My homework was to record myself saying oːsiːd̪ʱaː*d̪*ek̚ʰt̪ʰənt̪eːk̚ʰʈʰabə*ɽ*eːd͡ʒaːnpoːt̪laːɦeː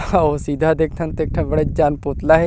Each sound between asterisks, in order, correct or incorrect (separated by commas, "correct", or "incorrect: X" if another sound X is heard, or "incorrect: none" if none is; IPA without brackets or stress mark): correct, correct